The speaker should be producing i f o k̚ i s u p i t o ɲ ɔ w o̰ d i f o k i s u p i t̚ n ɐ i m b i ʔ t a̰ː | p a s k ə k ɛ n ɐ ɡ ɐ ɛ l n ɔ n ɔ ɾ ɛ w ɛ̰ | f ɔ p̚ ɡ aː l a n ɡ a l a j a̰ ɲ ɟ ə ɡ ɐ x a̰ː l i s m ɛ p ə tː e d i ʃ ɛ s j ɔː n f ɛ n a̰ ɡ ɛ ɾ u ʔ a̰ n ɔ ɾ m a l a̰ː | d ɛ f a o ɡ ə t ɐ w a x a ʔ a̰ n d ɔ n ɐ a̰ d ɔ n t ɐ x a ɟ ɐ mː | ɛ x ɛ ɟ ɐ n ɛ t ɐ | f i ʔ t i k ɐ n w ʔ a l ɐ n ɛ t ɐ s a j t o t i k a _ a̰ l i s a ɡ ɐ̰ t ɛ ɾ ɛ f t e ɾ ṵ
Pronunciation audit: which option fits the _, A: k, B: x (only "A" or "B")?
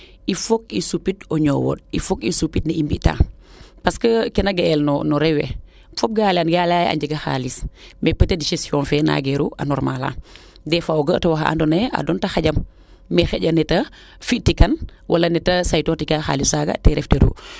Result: B